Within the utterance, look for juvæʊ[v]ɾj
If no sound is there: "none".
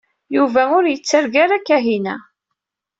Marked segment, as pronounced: none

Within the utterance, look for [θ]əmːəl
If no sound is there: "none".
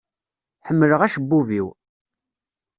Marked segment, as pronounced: ħ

